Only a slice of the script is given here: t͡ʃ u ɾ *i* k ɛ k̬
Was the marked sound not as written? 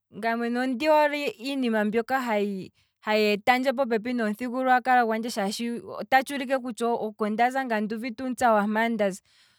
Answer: no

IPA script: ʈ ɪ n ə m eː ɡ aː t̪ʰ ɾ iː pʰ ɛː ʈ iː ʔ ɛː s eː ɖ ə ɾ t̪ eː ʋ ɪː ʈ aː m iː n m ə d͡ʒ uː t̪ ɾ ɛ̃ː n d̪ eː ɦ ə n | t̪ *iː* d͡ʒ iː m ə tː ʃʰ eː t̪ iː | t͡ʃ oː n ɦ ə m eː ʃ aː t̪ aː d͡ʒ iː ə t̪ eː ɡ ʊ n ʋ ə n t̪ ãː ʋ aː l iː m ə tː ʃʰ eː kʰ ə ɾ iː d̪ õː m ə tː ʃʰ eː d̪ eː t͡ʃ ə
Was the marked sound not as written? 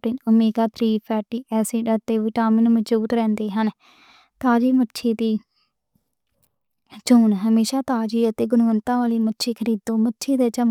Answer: yes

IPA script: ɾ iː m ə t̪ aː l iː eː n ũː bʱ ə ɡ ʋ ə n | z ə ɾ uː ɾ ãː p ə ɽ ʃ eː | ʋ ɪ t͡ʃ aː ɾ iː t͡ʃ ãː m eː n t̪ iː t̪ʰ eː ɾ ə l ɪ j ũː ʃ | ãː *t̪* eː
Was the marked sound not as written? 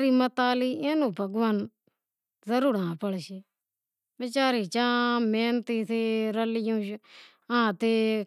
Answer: no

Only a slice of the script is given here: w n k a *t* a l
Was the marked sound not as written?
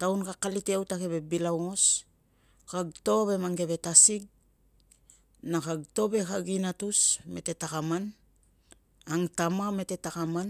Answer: yes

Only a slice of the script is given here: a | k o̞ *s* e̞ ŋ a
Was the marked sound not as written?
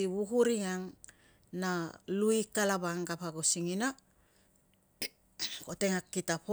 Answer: yes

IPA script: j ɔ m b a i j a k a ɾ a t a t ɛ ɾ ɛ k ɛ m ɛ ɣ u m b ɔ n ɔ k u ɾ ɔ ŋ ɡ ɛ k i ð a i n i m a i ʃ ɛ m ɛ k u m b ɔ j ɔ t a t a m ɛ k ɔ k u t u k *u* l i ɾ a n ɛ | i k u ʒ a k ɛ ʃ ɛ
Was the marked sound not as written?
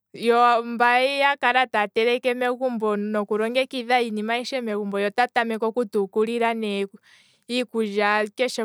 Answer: no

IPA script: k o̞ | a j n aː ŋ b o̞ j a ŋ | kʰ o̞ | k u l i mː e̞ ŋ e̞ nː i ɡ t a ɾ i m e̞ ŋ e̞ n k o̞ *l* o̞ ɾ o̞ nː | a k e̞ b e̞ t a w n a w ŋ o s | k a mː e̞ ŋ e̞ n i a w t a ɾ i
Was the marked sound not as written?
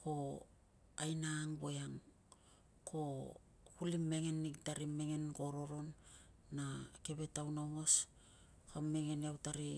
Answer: yes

